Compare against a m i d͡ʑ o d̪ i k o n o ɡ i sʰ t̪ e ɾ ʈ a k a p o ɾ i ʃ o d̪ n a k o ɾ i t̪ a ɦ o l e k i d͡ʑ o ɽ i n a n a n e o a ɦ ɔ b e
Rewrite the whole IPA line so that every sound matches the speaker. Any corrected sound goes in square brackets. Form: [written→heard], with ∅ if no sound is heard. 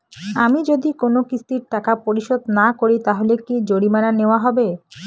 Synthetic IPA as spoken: a m i d͡ʑ o d̪ i k o n o [ɡ→k] i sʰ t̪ [e→i] ɾ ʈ a k a p o ɾ i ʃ o d̪ n a k o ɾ i t̪ a ɦ o l e k i d͡ʑ o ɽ i [n→m] a n a n e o a ɦ ɔ b e